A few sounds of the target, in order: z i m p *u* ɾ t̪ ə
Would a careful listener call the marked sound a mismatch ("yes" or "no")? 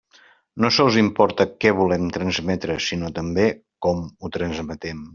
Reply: yes